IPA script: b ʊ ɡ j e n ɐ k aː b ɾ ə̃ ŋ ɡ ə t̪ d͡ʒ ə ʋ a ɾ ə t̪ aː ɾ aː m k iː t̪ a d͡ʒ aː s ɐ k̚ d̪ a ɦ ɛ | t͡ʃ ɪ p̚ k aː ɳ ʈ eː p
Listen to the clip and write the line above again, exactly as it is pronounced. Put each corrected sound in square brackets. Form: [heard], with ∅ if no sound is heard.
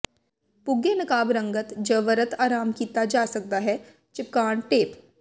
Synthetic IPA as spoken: [p] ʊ ɡ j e n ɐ k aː b ɾ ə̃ ŋ ɡ ə t̪ d͡ʒ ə ʋ [ə] ɾ ə t̪ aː ɾ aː m k iː t̪ a d͡ʒ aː s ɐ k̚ d̪ a ɦ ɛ | t͡ʃ ɪ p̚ k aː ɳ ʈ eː p